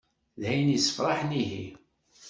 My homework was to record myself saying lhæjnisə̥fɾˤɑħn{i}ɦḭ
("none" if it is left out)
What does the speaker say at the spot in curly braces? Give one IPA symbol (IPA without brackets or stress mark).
i